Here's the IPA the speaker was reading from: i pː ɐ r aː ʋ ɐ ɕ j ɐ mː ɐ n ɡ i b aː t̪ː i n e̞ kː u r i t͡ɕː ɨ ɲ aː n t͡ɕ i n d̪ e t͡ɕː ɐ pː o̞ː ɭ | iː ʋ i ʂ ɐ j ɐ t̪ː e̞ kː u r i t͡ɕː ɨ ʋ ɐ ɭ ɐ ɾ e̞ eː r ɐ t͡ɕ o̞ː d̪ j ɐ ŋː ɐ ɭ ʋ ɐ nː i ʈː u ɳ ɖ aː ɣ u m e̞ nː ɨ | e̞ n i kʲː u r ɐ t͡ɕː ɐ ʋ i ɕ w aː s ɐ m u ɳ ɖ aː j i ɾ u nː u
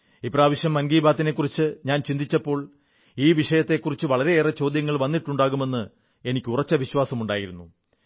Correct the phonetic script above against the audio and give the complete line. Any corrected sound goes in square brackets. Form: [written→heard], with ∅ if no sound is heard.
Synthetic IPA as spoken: i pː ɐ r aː ʋ ɐ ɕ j ɐ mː ɐ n ɡ [i→iː] b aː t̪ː i n e̞ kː u r i t͡ɕː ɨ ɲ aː n t͡ɕ i n d̪ [e→i] t͡ɕː ɐ pː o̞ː ɭ | iː ʋ i ʂ ɐ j ɐ t̪ː e̞ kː u r i t͡ɕː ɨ ʋ ɐ ɭ ɐ ɾ e̞ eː r ɐ t͡ɕ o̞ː d̪ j ɐ ŋː ɐ ɭ ʋ ɐ nː i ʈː u ɳ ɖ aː ɣ u m e̞ nː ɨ | e̞ n i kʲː u r ɐ t͡ɕː ɐ ʋ i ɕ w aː s ɐ m u ɳ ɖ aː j i ɾ u nː u